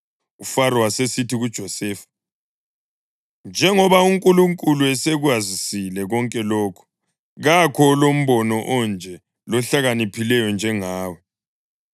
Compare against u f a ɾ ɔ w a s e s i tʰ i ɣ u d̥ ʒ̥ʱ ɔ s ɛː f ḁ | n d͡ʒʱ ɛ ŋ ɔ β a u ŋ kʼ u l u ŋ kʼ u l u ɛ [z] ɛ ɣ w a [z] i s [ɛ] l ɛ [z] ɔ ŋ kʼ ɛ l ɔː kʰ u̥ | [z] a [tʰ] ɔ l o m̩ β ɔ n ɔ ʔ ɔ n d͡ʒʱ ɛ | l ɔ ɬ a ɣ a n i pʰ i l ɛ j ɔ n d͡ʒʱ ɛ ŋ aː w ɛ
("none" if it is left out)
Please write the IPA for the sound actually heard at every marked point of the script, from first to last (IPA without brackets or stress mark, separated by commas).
s, z, i, ɣ, ɣ, kʰ